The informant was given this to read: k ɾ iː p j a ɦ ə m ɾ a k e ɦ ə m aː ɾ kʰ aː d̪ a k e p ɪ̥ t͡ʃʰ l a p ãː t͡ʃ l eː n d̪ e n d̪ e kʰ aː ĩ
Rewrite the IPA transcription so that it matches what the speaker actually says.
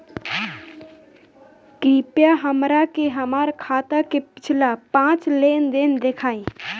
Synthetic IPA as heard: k ɾ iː p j a ɦ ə m ɾ a k e ɦ ə m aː ɾ kʰ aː t̪ a k e p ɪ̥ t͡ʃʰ l a p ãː t͡ʃ l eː n d̪ e n d̪ e kʰ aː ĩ

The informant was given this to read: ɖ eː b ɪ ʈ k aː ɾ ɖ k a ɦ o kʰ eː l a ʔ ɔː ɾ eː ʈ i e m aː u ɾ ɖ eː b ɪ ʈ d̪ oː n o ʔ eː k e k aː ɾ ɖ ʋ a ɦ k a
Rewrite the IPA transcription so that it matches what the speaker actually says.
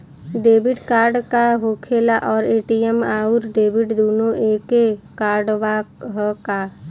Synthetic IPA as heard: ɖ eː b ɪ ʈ k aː ɾ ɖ k a ɦ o kʰ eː l a ʔ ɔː ɾ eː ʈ i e m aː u ɾ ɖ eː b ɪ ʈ d̪ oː n o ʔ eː k e k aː ɾ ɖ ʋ a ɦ k a

